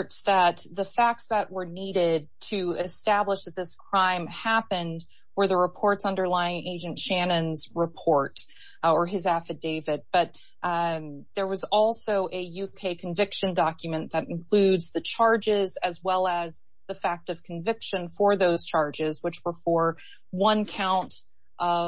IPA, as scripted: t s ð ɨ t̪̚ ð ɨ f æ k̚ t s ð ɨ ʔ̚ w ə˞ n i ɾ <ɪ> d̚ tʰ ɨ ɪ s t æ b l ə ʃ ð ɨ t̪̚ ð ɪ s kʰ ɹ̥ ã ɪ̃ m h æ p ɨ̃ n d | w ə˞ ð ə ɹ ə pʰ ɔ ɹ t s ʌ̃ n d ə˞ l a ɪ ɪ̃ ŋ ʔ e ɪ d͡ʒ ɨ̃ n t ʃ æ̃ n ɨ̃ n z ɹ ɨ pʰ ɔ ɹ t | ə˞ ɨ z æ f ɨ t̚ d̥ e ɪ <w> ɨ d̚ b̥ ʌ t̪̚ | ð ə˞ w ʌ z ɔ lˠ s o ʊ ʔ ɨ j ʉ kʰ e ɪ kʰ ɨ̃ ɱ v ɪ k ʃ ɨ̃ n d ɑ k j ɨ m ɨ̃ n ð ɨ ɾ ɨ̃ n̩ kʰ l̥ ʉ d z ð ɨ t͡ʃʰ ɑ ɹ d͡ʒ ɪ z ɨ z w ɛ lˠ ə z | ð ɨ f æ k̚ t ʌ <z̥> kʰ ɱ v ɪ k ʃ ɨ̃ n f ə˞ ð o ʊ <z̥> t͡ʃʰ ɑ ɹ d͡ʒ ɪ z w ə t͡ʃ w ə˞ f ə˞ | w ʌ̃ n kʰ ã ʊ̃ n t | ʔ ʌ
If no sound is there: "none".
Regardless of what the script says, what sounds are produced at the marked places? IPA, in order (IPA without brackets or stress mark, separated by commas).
ɪ, v, v̥, z̥